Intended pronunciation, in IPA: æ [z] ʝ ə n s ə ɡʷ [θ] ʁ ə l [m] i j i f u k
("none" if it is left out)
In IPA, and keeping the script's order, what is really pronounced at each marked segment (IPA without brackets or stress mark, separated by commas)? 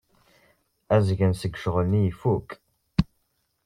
z, ʃ, n